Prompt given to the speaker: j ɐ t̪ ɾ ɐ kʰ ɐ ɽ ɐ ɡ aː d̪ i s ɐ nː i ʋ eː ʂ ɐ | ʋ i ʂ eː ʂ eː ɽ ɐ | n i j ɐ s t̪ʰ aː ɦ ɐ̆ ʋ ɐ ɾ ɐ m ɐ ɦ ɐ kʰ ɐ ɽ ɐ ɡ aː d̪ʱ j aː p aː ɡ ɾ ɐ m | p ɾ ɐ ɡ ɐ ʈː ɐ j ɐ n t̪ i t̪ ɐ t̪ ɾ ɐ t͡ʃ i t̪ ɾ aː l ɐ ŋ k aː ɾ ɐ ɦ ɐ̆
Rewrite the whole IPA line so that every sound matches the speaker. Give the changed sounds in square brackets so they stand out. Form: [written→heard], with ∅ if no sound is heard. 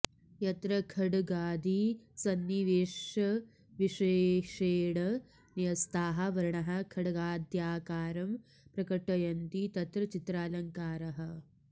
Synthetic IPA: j ɐ t̪ ɾ ɐ kʰ ɐ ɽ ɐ ɡ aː d̪ i s ɐ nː i ʋ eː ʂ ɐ | ʋ i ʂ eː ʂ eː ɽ ɐ | n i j ɐ s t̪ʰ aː ɦ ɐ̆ ʋ ɐ ɾ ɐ [m→ɳ] ɐ ɦ ɐ kʰ ɐ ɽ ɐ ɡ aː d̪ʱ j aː [p→k] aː [ɡ→∅] ɾ ɐ m | p ɾ ɐ [ɡ→k] ɐ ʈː ɐ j ɐ n t̪ i t̪ ɐ t̪ ɾ ɐ t͡ʃ i t̪ ɾ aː l ɐ ŋ k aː ɾ ɐ ɦ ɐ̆